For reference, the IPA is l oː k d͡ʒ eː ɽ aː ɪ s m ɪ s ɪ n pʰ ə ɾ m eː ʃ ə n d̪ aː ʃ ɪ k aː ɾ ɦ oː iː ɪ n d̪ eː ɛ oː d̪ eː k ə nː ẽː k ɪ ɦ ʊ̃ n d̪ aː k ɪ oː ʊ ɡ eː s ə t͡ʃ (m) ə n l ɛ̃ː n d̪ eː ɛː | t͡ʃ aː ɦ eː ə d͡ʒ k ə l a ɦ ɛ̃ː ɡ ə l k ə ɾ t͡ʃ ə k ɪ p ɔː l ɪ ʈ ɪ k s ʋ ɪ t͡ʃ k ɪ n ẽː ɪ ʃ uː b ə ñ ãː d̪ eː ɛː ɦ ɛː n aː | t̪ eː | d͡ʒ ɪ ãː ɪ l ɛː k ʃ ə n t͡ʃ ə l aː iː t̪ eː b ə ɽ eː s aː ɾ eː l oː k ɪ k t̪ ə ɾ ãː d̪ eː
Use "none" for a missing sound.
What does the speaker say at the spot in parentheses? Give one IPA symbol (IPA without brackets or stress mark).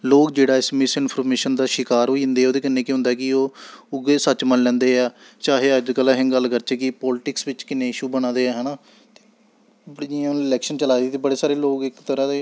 m